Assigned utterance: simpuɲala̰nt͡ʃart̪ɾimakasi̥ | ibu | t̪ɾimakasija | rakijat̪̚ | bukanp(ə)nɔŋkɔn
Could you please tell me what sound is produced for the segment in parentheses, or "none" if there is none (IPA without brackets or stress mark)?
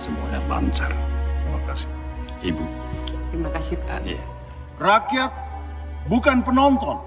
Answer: ə